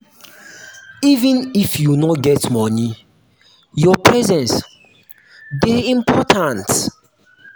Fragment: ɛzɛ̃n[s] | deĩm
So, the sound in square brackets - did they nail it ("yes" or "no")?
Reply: yes